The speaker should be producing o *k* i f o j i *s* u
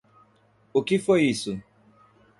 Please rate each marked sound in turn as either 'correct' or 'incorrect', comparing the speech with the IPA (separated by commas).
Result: correct, correct